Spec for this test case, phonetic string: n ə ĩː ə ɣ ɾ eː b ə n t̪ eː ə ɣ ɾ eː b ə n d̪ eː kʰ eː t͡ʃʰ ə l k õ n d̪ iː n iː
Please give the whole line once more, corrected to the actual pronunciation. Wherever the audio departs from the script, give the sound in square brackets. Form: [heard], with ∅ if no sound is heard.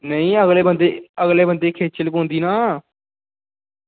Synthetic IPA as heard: n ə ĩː ə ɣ [l] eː b ə n [d̪] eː ə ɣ [l] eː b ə n d̪ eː kʰ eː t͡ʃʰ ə l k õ n d̪ iː n [aː]

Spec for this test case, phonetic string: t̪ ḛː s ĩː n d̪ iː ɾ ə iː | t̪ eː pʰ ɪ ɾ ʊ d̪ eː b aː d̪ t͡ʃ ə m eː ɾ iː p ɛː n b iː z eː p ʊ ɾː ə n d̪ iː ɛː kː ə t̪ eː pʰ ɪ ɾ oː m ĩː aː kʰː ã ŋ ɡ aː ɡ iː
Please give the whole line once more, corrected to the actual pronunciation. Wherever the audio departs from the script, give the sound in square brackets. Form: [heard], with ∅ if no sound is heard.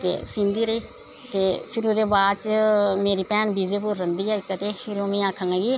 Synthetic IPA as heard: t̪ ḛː s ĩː n d̪ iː ɾ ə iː | t̪ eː pʰ ɪ ɾ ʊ d̪ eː b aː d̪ t͡ʃ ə m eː ɾ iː p ɛː n b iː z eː p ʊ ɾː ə n d̪ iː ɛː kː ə t̪ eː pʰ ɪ ɾ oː m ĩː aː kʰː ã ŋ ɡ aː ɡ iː

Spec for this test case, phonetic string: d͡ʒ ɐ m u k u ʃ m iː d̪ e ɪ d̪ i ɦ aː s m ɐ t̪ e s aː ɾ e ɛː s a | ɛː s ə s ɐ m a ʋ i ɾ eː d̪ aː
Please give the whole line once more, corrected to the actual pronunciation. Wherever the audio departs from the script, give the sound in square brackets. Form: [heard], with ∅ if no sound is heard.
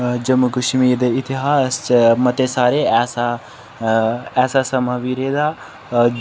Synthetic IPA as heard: d͡ʒ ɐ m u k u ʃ m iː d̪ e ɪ [t̪] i ɦ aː s m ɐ t̪ e s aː ɾ e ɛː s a | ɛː s [a] s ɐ m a ʋ i ɾ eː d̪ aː

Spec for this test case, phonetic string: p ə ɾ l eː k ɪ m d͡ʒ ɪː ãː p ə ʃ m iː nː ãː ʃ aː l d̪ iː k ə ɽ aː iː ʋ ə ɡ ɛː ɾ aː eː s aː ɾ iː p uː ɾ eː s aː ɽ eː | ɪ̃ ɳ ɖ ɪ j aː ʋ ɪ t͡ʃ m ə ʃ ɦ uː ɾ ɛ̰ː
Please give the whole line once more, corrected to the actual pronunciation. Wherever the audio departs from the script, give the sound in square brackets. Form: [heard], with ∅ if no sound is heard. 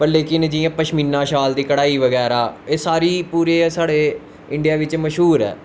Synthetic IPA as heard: p ə ɾ l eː k ɪ [n] d͡ʒ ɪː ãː p ə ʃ m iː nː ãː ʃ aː l d̪ iː k ə ɽ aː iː ʋ ə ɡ ɛː ɾ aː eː s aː ɾ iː p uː ɾ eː s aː ɽ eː | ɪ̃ ɳ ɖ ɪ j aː ʋ ɪ t͡ʃ m ə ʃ ɦ uː ɾ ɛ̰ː

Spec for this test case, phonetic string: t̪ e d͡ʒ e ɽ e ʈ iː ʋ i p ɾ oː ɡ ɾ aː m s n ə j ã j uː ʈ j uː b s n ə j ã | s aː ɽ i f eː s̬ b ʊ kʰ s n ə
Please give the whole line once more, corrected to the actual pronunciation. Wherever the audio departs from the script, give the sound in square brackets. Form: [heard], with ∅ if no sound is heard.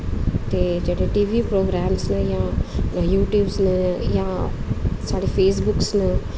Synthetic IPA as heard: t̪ e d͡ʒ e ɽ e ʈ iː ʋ i p ɾ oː ɡ ɾ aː m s n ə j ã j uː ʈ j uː b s n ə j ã | s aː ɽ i f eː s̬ b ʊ [k] s n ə

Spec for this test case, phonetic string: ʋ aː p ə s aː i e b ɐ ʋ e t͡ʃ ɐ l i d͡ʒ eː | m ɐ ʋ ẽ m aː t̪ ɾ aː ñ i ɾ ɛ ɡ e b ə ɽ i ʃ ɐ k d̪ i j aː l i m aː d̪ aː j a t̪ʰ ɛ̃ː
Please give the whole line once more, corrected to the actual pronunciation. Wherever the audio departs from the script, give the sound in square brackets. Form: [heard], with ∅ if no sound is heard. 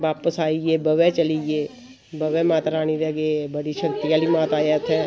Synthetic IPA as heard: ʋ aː p ə s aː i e b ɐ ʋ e t͡ʃ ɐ l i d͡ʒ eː | [b] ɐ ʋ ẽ m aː t̪ ɾ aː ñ i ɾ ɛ ɡ e b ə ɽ i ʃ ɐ k [t̪] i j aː l i m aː [t̪] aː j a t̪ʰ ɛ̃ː

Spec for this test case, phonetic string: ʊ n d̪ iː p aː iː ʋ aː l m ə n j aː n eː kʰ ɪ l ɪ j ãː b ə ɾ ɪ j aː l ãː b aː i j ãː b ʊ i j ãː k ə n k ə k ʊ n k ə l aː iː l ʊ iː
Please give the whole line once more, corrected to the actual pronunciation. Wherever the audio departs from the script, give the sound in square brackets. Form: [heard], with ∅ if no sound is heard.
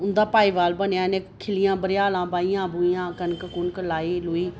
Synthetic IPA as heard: ʊ n d̪ [aː] p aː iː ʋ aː l [b] ə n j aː n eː kʰ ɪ l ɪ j ãː b ə ɾ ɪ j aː l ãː b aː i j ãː b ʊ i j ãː k ə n k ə k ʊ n k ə l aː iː l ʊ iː

